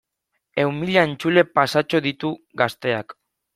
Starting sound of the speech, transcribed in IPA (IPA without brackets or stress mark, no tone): e̞